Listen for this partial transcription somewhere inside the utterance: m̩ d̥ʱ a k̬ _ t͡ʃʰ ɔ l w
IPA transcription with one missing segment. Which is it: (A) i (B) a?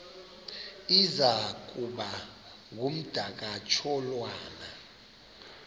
B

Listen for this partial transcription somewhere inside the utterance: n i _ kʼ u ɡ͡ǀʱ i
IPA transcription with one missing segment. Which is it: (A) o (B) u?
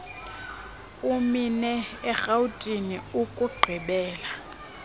B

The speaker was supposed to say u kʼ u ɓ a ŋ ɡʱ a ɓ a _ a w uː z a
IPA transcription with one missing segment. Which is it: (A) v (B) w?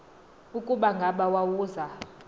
B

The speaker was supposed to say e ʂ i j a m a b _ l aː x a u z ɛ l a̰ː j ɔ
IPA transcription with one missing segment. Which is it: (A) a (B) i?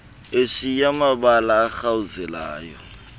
A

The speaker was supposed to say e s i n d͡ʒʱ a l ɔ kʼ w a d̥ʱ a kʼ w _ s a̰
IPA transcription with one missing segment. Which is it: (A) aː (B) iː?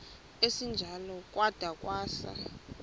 A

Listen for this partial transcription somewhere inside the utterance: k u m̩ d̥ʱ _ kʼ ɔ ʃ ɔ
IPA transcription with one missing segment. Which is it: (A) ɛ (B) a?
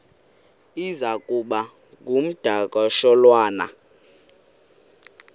B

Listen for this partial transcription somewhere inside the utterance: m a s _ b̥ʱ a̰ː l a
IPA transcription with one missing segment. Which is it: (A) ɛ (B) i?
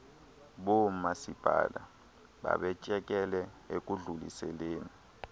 B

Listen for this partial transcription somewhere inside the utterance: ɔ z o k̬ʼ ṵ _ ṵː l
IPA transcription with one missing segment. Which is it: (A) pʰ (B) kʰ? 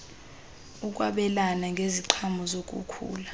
B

